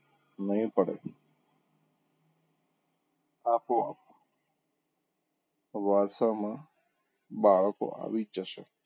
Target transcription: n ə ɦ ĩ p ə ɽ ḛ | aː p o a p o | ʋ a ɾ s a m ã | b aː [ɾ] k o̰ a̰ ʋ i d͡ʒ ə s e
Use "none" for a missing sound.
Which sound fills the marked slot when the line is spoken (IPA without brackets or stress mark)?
ɭ